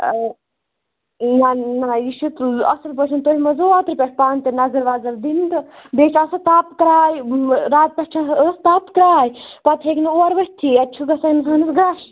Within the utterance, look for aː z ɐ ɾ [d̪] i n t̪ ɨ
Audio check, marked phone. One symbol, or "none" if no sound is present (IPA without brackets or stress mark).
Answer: d̪